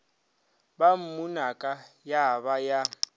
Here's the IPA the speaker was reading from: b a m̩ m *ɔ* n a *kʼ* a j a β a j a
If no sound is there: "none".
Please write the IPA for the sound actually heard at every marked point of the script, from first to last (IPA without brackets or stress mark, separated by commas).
u, kʼ